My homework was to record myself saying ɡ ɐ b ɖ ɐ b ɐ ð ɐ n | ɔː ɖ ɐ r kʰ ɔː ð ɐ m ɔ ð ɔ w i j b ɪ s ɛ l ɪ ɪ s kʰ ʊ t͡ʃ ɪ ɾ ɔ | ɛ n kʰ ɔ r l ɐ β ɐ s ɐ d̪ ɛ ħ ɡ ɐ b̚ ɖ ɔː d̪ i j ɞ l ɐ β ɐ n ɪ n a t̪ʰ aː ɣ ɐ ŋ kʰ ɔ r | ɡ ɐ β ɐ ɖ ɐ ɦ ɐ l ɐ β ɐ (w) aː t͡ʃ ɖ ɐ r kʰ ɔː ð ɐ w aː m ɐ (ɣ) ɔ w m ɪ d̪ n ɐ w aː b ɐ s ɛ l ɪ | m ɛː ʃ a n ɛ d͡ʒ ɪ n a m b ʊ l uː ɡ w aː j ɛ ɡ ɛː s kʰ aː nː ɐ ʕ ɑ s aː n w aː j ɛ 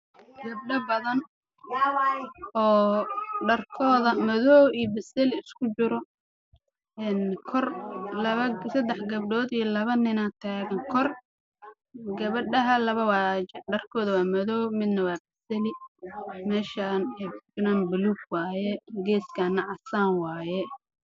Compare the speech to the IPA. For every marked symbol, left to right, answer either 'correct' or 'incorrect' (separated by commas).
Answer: correct, incorrect